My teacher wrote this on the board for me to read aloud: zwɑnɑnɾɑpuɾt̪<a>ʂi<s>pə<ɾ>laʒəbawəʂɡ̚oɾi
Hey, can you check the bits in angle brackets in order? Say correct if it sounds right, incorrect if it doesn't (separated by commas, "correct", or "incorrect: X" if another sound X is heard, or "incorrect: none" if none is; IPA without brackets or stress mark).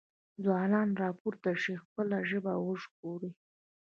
correct, incorrect: x, incorrect: none